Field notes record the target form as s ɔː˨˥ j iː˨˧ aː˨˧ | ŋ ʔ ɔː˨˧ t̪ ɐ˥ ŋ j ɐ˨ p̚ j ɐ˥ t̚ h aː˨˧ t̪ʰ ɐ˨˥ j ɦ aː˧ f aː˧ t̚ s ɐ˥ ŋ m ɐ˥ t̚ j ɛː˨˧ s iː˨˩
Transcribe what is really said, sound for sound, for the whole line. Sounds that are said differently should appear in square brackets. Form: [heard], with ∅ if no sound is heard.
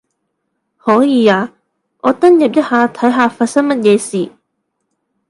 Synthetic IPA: [h] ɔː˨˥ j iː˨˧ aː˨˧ | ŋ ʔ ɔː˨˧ t̪ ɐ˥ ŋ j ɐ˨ p̚ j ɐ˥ t̚ h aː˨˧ t̪ʰ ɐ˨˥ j ɦ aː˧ f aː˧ t̚ s ɐ˥ ŋ m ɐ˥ t̚ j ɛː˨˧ s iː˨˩